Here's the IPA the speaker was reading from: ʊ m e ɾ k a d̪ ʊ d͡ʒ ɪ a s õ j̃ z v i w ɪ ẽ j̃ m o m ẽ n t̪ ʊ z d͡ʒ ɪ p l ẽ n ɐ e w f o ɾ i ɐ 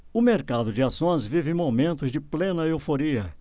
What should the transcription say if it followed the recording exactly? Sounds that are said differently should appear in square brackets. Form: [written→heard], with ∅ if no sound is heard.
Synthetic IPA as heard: ʊ m e ɾ k a d̪ ʊ d͡ʒ ɪ a s õ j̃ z v i [w→v] ɪ ẽ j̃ m o m ẽ n t̪ ʊ z d͡ʒ ɪ p l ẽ n ɐ e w f o ɾ i ɐ